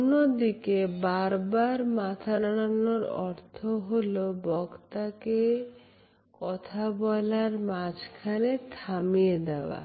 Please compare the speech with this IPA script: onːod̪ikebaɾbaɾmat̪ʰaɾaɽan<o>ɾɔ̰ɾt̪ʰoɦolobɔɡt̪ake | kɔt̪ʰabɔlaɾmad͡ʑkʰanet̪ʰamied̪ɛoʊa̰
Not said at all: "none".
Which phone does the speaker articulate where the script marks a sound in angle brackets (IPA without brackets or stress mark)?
o